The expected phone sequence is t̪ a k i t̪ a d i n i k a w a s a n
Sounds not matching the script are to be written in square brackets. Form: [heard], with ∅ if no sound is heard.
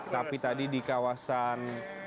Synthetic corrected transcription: t̪ a [p] i t̪ a d i [d] i k a w a s a n